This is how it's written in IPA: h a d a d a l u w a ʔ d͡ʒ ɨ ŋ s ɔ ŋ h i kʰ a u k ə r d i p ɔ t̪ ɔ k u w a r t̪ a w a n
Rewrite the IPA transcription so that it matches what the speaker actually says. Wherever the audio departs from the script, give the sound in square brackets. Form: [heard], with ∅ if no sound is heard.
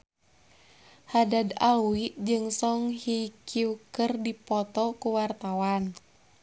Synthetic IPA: h a d a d a l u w [i] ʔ d͡ʒ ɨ ŋ s ɔ ŋ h i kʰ [i] u k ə r d i p ɔ t̪ ɔ k u w a r t̪ a w a n